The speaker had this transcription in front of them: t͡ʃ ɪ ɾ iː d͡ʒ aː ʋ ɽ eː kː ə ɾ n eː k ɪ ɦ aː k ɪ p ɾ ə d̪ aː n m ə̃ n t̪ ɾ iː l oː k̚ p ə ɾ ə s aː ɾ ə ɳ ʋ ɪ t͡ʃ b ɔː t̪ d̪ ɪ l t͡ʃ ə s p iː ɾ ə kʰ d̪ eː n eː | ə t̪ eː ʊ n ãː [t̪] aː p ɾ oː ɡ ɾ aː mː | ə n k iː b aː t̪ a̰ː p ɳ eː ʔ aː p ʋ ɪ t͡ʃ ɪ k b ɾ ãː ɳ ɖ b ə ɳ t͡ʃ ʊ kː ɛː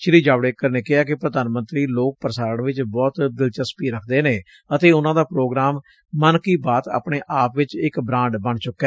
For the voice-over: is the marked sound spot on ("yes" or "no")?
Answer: no